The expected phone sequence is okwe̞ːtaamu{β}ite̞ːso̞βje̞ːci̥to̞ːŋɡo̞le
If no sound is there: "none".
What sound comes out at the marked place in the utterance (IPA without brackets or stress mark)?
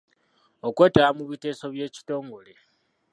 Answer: β